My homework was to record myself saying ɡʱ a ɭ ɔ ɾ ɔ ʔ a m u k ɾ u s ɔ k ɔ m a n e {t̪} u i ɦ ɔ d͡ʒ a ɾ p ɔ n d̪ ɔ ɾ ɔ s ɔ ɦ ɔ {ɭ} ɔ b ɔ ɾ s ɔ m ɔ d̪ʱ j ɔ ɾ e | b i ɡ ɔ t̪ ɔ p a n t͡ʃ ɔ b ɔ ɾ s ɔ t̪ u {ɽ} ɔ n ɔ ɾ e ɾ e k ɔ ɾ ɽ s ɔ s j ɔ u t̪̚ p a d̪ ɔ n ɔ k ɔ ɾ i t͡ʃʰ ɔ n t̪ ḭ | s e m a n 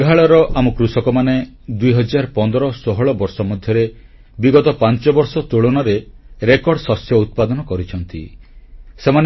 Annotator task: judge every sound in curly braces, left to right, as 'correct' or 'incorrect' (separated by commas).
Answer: incorrect, correct, incorrect